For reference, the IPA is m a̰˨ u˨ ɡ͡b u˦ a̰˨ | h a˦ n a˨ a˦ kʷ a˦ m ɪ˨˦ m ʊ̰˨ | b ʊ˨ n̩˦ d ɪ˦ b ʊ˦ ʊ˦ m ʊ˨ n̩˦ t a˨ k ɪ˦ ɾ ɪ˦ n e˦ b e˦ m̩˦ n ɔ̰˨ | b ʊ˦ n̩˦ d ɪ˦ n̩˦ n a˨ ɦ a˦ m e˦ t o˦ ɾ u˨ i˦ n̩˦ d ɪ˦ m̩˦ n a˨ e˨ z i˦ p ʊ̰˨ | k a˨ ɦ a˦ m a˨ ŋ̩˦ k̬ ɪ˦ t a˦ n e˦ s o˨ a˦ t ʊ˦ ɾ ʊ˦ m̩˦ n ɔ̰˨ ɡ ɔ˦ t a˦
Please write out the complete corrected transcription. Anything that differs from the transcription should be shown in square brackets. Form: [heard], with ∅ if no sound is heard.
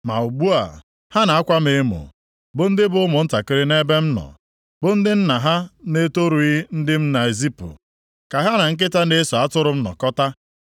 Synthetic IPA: m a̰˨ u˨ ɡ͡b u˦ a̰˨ | h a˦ n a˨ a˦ kʷ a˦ m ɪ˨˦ m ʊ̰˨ | b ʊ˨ n̩˦ d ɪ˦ b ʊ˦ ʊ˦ m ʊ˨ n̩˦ t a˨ k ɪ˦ ɾ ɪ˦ n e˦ b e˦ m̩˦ n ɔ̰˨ | b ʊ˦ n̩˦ d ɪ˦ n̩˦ n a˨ ɦ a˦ [n] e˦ t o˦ ɾ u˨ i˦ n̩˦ d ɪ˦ m̩˦ n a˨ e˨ z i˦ p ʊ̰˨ | k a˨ ɦ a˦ [n] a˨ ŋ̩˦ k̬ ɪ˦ t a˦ n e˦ s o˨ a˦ t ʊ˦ ɾ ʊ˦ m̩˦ n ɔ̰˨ [k] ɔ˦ t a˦